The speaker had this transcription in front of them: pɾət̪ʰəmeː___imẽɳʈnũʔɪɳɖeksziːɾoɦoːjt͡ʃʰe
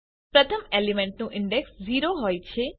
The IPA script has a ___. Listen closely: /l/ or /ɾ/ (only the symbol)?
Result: l